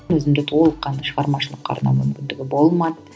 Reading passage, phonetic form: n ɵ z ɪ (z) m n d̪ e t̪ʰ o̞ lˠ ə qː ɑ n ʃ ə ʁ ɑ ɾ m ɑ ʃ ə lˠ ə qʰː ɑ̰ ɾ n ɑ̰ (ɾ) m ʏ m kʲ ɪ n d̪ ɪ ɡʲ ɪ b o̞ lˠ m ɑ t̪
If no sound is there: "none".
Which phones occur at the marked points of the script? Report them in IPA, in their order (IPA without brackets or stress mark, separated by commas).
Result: none, none